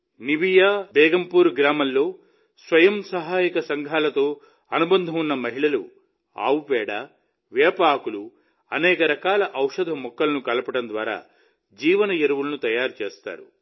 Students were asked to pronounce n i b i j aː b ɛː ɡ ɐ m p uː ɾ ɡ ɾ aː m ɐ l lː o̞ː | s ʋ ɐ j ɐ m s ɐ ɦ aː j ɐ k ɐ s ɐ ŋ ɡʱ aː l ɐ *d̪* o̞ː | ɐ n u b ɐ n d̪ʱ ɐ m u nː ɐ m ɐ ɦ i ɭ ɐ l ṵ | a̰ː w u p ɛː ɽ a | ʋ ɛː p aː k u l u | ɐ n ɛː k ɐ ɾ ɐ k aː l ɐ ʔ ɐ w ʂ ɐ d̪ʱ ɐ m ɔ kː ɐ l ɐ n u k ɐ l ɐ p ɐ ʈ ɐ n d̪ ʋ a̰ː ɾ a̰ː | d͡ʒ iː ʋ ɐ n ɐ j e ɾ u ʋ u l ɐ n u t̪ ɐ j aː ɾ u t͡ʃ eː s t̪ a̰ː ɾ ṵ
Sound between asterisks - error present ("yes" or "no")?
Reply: yes